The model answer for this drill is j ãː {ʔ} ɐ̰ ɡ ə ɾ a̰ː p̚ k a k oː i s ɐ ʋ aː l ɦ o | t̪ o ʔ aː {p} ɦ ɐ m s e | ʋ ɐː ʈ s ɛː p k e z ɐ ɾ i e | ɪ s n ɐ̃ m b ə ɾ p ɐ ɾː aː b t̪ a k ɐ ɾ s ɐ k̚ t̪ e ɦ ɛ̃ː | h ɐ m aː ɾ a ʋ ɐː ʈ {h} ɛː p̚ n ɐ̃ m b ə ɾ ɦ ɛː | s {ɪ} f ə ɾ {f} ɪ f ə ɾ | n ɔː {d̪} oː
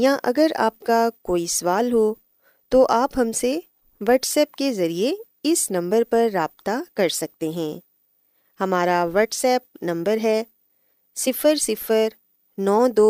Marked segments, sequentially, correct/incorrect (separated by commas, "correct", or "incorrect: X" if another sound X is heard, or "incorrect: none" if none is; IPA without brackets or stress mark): correct, correct, incorrect: s, correct, incorrect: s, correct